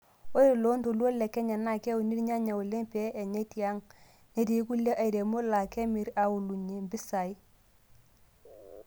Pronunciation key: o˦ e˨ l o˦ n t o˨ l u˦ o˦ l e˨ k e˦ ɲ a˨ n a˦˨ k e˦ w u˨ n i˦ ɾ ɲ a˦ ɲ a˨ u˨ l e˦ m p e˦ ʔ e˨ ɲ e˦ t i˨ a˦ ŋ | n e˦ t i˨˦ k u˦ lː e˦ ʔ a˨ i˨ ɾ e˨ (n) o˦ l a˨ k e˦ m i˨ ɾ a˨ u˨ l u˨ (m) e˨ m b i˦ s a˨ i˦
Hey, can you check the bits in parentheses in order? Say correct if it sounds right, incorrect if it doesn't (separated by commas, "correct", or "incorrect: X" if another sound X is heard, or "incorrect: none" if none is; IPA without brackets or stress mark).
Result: incorrect: m, incorrect: ɲ